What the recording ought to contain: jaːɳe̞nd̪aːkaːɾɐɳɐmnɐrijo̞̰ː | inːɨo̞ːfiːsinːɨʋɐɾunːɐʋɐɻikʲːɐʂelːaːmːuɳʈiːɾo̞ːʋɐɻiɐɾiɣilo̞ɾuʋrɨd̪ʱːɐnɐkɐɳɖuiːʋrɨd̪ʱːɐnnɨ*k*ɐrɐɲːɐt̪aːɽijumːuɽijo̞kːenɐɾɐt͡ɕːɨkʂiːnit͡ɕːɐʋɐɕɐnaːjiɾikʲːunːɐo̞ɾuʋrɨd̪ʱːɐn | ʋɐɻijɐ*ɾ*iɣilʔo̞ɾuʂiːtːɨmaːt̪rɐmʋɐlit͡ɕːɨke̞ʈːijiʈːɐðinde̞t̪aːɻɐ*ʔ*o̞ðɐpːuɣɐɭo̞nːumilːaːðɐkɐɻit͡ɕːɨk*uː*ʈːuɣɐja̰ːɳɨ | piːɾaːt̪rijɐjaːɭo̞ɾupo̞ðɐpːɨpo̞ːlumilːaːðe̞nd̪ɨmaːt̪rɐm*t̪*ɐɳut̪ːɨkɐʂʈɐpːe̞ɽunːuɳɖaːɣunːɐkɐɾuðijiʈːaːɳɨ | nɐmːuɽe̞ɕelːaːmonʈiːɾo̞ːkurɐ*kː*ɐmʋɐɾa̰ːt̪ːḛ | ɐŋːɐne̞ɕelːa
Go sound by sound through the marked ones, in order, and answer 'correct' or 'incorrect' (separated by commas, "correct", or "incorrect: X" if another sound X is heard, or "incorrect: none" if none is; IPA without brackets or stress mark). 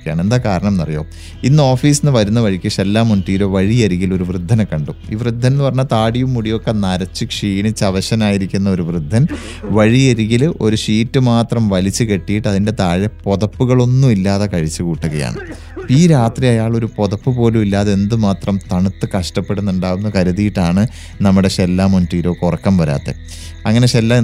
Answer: incorrect: p, correct, incorrect: p, correct, correct, correct